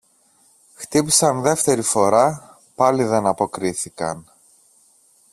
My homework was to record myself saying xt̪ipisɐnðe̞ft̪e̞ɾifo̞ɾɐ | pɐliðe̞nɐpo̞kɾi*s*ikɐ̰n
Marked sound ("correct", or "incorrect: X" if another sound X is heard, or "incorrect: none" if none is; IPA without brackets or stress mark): incorrect: θ